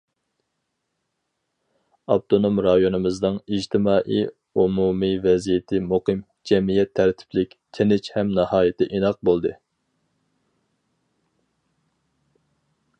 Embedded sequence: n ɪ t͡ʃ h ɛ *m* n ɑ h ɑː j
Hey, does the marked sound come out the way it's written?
yes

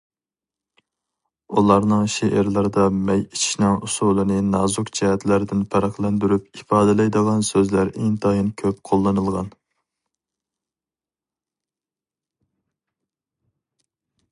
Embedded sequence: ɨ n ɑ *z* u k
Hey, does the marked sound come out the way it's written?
yes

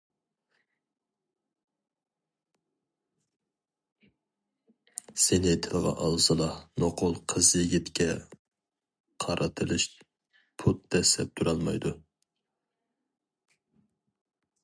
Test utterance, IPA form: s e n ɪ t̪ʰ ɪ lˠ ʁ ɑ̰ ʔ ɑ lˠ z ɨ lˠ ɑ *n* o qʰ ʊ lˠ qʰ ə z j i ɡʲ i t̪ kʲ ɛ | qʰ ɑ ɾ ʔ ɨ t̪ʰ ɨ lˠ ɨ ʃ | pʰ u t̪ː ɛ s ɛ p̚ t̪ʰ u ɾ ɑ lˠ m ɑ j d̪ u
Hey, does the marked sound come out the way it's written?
yes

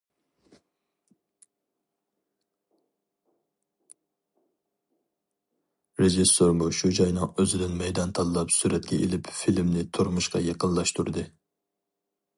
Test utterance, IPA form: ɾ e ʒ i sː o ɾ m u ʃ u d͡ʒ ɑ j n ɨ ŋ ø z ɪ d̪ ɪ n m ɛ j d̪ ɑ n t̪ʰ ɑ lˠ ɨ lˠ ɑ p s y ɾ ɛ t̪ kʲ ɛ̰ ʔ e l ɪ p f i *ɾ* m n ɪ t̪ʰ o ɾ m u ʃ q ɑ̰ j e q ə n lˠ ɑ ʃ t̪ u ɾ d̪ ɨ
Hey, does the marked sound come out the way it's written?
no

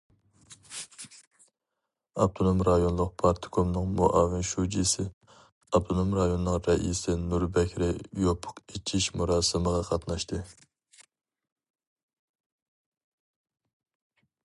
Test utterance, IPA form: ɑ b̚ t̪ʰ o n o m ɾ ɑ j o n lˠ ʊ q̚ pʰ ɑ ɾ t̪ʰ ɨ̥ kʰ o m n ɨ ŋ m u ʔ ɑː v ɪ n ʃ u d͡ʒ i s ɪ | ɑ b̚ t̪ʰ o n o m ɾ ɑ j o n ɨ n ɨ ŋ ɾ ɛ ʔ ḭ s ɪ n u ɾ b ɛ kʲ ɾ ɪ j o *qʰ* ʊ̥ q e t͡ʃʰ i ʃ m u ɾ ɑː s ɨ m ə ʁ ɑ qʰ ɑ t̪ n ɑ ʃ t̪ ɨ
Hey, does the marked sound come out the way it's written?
no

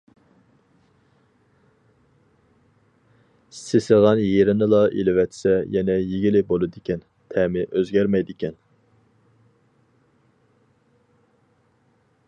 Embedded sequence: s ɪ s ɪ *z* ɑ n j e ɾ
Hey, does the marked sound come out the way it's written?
no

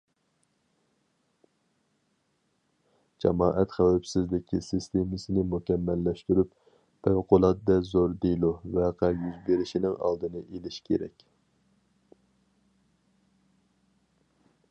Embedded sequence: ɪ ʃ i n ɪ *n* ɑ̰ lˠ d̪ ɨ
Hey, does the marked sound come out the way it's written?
no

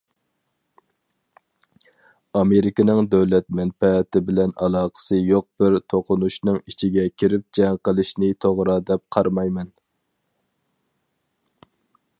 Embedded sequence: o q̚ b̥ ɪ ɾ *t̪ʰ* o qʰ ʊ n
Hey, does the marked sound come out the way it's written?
yes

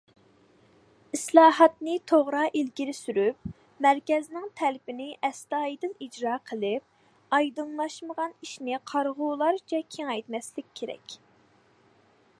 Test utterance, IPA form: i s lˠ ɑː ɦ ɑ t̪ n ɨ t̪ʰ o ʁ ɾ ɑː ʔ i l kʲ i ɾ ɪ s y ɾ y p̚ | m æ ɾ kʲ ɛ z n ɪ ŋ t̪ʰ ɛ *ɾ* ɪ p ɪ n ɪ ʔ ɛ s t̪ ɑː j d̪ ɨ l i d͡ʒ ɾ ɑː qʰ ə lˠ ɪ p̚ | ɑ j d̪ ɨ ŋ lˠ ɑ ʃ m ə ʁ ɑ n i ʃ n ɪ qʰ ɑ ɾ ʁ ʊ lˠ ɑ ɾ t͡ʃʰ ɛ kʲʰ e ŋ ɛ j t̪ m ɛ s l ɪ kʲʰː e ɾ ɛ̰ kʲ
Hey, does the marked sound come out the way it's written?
no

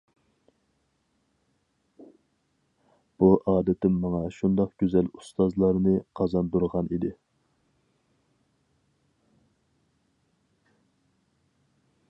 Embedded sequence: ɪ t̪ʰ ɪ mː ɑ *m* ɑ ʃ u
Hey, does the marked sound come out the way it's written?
no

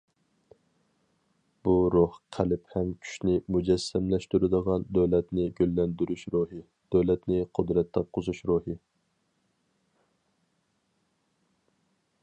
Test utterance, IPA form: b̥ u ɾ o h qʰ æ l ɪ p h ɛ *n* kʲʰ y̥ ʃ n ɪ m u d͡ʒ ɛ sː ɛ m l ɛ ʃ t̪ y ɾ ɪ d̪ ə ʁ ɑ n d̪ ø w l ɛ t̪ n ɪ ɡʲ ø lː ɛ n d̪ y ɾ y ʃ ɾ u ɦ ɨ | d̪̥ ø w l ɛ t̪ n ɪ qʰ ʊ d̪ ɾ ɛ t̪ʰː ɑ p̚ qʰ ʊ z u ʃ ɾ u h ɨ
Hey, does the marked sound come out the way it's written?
no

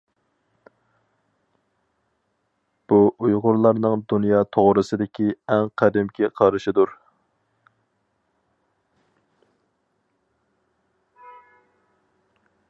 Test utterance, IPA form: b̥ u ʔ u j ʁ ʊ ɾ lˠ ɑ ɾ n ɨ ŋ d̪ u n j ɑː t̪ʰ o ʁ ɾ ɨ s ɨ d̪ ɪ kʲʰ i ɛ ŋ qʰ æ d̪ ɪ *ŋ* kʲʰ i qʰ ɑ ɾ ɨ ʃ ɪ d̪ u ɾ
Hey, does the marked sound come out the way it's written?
no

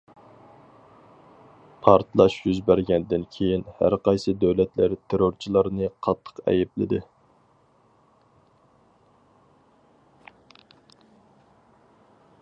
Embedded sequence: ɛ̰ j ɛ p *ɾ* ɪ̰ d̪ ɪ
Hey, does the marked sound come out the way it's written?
no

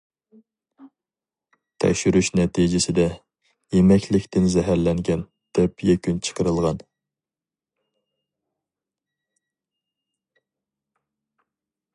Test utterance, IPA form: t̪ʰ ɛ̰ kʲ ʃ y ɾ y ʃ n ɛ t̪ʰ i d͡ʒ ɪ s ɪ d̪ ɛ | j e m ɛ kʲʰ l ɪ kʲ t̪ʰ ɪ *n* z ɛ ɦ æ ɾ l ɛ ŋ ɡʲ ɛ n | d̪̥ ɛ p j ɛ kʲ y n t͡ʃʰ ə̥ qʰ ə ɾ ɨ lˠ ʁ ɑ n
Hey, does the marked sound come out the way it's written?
yes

